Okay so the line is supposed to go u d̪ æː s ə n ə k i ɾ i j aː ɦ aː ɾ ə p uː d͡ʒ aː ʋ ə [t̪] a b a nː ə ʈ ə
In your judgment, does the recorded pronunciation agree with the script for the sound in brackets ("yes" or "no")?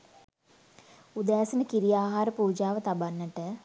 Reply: yes